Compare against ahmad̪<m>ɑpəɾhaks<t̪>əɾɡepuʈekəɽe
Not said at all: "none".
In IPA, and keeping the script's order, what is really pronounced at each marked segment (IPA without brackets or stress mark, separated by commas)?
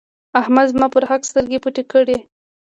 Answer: m, t̪